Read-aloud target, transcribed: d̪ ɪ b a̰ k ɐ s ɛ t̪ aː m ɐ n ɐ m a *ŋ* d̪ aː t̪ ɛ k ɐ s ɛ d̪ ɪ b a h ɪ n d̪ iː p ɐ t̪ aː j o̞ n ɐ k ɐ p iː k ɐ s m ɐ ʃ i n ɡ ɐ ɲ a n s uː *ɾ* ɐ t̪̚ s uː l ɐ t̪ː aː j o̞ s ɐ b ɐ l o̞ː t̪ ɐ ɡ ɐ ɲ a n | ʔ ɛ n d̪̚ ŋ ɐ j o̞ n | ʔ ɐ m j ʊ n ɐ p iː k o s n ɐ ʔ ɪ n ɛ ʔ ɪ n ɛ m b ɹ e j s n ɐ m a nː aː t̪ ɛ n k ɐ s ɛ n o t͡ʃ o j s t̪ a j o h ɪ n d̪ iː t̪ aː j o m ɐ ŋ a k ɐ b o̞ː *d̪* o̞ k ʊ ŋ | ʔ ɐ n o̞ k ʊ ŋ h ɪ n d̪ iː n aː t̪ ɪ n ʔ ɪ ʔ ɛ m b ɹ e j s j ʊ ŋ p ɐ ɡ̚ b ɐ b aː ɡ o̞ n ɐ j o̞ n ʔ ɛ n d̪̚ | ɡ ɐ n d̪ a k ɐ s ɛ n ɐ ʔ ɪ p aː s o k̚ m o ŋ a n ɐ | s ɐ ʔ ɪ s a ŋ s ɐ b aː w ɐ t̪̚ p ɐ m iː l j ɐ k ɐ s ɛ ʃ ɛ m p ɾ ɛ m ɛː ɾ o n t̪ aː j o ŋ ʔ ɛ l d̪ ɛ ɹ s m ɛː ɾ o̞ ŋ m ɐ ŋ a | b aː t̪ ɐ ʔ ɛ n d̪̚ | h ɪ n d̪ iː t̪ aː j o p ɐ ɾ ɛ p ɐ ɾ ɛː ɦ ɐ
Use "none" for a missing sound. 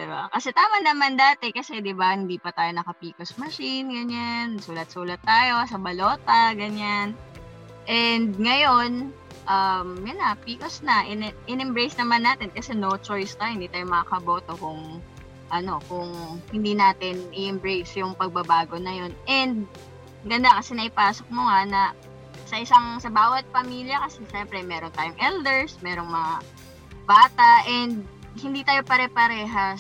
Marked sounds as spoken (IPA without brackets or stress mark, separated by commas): n, l, t̪